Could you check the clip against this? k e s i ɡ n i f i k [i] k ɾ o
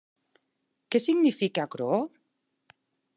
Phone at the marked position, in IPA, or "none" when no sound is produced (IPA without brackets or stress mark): a